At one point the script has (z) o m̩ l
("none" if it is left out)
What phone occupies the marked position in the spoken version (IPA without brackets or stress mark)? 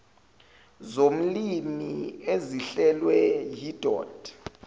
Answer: z